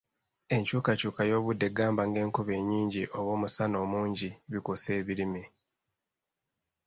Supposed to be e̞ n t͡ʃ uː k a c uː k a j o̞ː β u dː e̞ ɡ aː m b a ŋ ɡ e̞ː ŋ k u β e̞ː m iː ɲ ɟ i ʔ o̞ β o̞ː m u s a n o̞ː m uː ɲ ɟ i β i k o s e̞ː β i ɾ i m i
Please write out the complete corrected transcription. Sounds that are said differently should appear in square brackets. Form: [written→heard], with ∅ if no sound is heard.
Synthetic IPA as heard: e̞ [n→ɲ] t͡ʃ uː k a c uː k a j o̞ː β u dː e̞ ɡ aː m b a ŋ ɡ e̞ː ŋ k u β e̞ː [m→ɲ] iː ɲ ɟ i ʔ o̞ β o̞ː m u s a n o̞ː m uː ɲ ɟ i β i k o s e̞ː β i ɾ i m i